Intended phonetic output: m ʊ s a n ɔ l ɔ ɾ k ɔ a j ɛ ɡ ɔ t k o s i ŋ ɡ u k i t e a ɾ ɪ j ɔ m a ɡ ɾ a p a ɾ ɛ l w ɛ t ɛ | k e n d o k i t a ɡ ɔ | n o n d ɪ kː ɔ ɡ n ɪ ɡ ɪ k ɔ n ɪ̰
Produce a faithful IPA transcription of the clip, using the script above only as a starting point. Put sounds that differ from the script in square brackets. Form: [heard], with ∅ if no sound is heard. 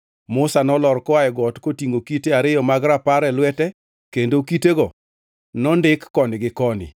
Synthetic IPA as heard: m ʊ s a n ɔ l ɔ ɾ k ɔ a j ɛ ɡ ɔ t k o [t] i ŋ ɡ [o] k i t e a ɾ ɪ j ɔ m a ɡ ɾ a p a ɾ ɛ l w ɛ t ɛ | k e n d o k i t [e] ɡ ɔ | n [ɔ] n d ɪ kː ɔ [∅] n ɪ ɡ ɪ k ɔ n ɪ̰

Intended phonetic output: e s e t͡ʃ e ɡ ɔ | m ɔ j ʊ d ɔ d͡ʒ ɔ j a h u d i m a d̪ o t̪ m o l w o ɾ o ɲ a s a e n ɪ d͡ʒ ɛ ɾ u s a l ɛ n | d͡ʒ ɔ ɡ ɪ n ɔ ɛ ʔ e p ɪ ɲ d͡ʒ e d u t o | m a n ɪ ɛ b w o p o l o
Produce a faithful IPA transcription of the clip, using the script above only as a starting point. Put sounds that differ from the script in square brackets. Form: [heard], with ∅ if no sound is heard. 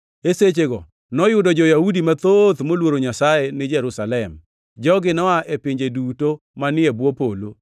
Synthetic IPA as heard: e s e t͡ʃ e ɡ ɔ | [n] ɔ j ʊ d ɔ d͡ʒ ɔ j a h u d i m a [t̪] o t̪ m o l w o ɾ o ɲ a s a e n ɪ d͡ʒ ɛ ɾ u s a l ɛ [m] | d͡ʒ ɔ ɡ ɪ n ɔ [a] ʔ e p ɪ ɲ d͡ʒ e d u t o | m a n ɪ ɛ b w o p o l o

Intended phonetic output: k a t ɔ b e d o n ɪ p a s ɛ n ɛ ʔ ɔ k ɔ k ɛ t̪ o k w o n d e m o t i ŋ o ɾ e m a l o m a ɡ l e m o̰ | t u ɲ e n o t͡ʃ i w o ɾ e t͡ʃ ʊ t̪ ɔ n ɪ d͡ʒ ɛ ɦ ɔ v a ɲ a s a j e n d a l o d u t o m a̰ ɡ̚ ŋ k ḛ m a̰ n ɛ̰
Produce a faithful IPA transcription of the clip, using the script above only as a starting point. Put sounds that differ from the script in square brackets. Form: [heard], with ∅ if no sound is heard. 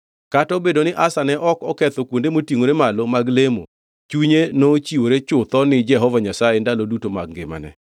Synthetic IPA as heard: k a t ɔ b e d o n ɪ [ʔ] a s [a] n ɛ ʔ ɔ k ɔ k ɛ t̪ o k w o n d e m o t i ŋ o ɾ e m a l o m a ɡ l e m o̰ | [t͡ʃ] u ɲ e n o t͡ʃ i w o ɾ e t͡ʃ ʊ t̪ ɔ n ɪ d͡ʒ ɛ ɦ ɔ v a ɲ a s a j e n d a l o d u t o m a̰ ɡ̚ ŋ [ɡ] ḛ m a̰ n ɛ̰

